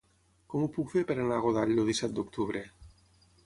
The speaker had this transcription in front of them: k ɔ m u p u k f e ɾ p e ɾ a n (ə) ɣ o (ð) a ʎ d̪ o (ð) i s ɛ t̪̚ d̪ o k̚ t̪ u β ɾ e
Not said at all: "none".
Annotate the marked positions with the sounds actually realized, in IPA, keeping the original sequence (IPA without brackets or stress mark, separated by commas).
a, ð, ð